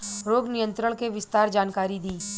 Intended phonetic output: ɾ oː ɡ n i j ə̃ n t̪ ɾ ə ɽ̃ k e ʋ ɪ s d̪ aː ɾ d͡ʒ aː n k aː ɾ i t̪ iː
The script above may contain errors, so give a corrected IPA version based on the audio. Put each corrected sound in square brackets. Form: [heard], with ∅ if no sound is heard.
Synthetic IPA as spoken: ɾ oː ɡ n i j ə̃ n t̪ ɾ ə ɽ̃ k e ʋ ɪ s [t̪] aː ɾ d͡ʒ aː n k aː ɾ i [d̪] iː